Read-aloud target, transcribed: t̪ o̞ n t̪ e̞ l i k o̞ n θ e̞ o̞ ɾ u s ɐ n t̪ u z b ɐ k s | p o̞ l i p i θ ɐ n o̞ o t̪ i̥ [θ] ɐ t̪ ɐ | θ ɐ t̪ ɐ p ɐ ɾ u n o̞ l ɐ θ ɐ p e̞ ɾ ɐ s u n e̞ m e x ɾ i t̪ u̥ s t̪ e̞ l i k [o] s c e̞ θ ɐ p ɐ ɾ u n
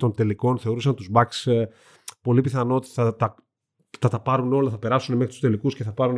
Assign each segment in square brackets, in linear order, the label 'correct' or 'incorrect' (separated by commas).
correct, incorrect